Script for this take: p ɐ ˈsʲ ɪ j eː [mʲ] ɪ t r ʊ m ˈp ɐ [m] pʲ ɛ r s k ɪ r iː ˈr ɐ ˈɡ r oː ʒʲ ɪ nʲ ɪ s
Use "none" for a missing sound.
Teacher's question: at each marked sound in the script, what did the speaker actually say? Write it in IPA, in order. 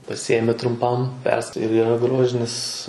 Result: mʲ, m

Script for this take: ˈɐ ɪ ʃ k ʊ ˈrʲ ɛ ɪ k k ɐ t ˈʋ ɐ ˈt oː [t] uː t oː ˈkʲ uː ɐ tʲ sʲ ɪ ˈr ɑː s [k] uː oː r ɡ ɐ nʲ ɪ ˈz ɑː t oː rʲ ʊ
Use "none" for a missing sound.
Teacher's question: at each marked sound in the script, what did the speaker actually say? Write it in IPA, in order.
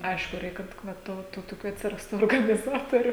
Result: t, t

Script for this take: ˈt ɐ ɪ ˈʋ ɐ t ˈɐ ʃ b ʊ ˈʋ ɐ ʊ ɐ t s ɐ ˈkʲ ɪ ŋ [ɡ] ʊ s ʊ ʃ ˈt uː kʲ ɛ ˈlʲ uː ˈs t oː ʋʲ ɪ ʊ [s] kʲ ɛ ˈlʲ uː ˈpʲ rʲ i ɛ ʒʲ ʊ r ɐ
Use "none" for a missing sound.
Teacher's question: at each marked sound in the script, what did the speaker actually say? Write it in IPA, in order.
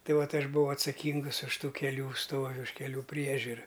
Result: ɡ, ʃ

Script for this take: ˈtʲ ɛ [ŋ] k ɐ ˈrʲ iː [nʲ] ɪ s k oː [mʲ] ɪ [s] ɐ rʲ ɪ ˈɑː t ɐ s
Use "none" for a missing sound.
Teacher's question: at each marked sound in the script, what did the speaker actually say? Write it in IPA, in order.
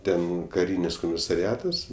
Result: n, nʲ, mʲ, s

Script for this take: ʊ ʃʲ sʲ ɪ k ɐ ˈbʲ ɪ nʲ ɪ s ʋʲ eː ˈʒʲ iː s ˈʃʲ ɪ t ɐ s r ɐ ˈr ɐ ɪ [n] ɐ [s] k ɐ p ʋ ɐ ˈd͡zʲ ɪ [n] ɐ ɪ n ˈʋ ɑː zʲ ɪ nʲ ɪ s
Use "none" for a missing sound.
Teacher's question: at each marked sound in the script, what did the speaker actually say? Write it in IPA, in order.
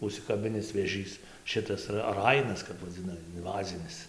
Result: n, s, n

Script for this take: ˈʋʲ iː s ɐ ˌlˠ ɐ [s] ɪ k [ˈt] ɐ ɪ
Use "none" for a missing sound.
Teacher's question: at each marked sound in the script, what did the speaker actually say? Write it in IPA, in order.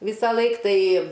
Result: none, t

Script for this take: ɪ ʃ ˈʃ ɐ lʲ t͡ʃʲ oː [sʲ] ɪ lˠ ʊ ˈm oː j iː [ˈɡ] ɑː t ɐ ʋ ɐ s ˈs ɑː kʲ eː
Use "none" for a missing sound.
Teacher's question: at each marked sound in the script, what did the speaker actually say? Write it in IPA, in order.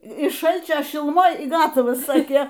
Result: ʃʲ, ɡ

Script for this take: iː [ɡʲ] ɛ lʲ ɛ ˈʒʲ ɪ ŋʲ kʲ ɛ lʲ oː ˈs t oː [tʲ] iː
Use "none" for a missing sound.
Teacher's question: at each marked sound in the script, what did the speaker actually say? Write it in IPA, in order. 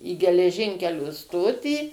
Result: ɡʲ, tʲ

